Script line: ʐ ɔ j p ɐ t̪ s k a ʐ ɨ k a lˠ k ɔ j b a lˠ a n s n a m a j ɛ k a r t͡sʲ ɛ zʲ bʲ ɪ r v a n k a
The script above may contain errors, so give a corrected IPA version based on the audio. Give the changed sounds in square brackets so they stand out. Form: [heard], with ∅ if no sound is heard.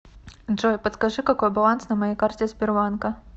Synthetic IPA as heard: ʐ ɔ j p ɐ t̪ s k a ʐ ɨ k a [∅] k ɔ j b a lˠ a n s n [ɐ] m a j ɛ k a r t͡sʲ ɛ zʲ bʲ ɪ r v a n k [ɐ]